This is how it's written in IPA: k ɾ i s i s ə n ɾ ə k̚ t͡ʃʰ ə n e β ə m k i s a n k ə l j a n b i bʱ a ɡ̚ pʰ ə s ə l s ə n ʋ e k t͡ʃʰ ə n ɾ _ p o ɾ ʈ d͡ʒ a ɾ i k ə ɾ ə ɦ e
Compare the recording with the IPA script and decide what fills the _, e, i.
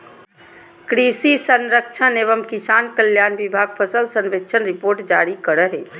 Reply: i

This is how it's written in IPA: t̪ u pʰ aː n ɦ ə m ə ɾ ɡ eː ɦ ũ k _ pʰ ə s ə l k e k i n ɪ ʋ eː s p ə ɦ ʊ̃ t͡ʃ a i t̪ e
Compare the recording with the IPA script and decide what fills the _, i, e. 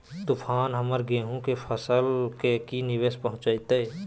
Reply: e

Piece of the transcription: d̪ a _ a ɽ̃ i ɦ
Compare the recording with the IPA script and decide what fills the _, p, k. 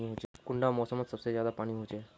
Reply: p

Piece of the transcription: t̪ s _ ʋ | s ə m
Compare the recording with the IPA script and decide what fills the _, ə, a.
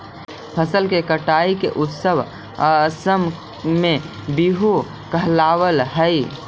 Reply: ə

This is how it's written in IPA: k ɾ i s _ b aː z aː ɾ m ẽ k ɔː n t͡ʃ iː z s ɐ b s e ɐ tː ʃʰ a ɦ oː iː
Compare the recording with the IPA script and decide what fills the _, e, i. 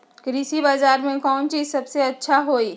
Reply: i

